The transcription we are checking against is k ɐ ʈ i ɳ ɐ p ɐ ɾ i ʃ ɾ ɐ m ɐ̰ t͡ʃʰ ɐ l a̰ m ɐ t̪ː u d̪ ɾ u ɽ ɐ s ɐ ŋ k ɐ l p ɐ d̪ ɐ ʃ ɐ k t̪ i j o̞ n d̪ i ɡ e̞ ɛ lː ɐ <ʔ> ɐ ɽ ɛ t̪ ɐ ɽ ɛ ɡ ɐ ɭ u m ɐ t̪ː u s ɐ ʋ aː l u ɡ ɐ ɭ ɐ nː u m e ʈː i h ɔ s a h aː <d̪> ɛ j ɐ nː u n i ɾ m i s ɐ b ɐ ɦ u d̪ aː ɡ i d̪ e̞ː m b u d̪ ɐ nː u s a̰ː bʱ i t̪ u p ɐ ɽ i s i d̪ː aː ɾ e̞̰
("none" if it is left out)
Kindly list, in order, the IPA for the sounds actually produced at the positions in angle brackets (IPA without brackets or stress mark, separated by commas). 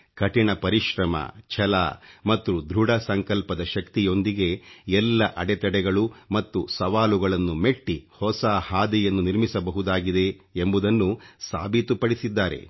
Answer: ʔ, d̪